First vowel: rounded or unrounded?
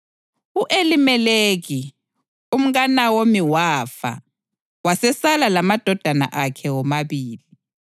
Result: rounded